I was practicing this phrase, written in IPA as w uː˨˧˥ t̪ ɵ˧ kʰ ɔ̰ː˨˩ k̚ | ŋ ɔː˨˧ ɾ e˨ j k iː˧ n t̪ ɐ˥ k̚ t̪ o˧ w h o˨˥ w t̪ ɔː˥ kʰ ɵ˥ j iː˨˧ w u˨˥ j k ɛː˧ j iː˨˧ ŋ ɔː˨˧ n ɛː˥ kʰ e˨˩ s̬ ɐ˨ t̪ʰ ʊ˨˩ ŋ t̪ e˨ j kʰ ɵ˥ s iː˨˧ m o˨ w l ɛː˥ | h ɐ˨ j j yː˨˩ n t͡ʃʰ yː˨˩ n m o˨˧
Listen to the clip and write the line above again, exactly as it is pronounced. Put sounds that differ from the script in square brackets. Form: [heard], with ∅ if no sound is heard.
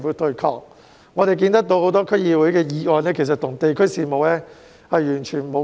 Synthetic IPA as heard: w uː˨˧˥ t̪ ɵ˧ kʰ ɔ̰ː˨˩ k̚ | ŋ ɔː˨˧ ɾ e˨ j k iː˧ n t̪ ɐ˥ k̚ t̪ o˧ w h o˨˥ w t̪ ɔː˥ kʰ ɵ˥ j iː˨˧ w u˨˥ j k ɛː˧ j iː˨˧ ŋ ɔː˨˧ n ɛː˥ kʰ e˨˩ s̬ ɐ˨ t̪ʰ ʊ˨˩ ŋ t̪ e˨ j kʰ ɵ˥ s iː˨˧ m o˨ w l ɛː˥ | h ɐ˨ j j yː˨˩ n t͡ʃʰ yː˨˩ n m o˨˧